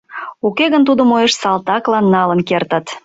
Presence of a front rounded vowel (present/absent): absent